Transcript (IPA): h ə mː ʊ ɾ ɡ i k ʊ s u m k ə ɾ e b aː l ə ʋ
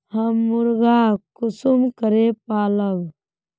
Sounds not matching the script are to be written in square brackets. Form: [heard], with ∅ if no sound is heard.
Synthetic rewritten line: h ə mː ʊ ɾ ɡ [a] k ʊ s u m k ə ɾ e [p] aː l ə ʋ

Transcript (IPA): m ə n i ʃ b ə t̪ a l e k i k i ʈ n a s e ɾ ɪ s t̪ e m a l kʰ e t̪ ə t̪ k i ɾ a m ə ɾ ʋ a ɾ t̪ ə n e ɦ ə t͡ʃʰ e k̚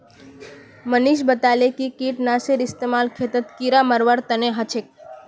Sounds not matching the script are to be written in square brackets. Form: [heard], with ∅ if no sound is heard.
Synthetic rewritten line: m ə n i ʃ b ə t̪ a l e k i k i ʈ n a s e ɾ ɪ s t̪ e m a l kʰ e t̪ ə t̪ k i ɾ a m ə ɾ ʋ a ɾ t̪ ə n e ɦ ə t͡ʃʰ e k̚

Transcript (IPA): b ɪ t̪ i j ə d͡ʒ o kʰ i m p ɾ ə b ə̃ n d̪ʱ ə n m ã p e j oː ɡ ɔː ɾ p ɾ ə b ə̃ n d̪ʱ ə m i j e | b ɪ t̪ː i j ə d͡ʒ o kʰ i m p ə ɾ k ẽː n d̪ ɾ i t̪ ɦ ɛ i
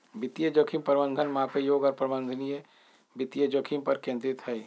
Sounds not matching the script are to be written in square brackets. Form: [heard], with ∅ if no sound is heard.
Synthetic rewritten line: b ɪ t̪ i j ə d͡ʒ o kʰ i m p ɾ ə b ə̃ n d̪ʱ ə n m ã p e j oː ɡ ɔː ɾ p ɾ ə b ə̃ n d̪ʱ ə [n] i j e | b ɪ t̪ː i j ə d͡ʒ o kʰ i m p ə ɾ k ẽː n d̪ ɾ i t̪ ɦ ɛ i

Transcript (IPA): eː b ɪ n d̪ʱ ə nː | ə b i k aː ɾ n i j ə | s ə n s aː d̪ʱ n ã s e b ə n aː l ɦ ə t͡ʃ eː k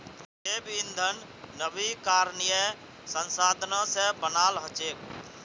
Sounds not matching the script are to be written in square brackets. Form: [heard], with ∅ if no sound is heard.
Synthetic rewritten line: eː b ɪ n d̪ʱ ə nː | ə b i k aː ɾ n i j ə | s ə n s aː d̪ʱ n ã s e b ə n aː l ɦ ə t͡ʃ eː k

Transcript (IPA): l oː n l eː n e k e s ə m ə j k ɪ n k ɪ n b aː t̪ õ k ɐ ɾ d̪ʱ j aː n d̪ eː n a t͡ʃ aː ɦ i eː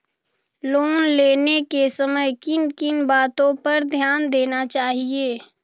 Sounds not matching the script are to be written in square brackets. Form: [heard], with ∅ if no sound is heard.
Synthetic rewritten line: l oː n l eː n e k e s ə m ə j k ɪ n k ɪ n b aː t̪ õ [p] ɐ ɾ d̪ʱ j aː n d̪ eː n a t͡ʃ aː ɦ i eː

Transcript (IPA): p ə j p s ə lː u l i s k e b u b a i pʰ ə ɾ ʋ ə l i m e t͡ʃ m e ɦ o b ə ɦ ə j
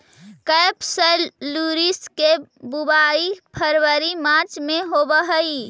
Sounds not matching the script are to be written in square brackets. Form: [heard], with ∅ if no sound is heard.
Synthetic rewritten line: [k] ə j p s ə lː u [ɾ] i s k e b u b a i pʰ ə ɾ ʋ ə [ɾ] i m [a] t͡ʃ m e ɦ o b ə ɦ ə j

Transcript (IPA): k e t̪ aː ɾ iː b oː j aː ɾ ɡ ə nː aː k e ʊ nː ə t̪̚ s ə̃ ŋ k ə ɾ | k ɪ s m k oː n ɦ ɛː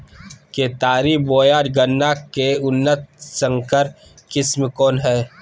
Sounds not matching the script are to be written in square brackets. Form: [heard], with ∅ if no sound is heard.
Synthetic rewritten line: k e t̪ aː ɾ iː b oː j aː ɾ ɡ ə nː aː k e ʊ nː ə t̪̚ s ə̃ ŋ k ə ɾ | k ɪ s m k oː n ɦ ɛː

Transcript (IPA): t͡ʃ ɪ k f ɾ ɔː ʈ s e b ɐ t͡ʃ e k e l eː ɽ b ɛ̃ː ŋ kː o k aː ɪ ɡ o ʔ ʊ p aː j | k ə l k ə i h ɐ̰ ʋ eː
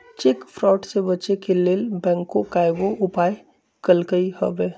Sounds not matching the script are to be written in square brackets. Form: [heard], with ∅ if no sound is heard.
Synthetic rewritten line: t͡ʃ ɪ k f ɾ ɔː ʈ s e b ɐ t͡ʃ e k e l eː [l] b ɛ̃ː ŋ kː o k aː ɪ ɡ o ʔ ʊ p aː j | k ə l k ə i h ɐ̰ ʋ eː

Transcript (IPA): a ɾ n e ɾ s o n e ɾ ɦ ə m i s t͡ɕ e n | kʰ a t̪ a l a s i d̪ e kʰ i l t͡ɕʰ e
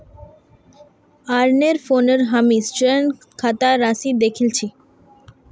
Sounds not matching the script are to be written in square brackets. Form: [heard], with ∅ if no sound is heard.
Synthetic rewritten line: a ɾ n e ɾ [f] o n e ɾ ɦ [a] m i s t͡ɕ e n | kʰ a t̪ a [ɾ] a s i d̪ e kʰ i l t͡ɕʰ [i]

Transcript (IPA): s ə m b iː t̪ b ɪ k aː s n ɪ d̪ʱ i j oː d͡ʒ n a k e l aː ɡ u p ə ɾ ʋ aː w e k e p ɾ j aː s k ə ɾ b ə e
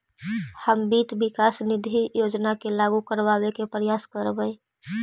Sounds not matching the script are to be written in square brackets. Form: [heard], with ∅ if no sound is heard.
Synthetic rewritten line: [h] ə m b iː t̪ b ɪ k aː s n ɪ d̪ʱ i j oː d͡ʒ n a k e l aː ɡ u [k] ə ɾ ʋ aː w e k e p ɾ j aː s k ə ɾ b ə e

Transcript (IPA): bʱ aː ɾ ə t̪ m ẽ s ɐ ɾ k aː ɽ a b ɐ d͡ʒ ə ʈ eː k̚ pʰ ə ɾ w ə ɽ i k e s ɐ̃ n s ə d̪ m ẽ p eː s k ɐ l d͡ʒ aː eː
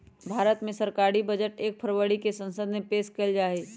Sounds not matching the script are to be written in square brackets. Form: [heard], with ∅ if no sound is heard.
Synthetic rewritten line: bʱ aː ɾ ə t̪ m ẽ s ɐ ɾ k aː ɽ [i] b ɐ d͡ʒ ə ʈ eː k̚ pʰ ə ɾ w ə ɽ i k e s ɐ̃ n s ə d̪ m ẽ p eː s k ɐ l d͡ʒ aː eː

